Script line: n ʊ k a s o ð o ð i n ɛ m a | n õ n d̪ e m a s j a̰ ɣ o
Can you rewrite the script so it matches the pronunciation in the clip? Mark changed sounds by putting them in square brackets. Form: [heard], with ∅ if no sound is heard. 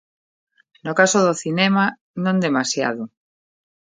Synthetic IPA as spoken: n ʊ k a s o ð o [θ] i n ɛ m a | n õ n d̪ e m a s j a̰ [ð] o